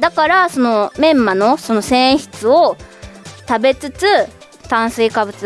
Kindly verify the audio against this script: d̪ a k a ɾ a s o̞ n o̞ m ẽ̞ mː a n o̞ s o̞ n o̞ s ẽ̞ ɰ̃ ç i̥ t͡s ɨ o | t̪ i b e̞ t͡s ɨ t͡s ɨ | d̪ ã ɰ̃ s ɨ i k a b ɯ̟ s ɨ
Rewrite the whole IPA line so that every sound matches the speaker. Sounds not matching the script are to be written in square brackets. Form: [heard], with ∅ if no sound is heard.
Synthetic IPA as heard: d̪ a k a ɾ a s o̞ n o̞ m ẽ̞ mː a n o̞ s o̞ n o̞ s ẽ̞ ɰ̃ ç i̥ t͡s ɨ o | t̪ [a] b e̞ t͡s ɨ t͡s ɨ | [t̪] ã ɰ̃ s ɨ i k a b ɯ̟ [t͡s] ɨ